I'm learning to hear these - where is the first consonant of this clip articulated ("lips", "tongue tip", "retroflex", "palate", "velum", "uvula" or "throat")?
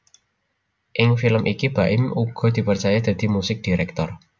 throat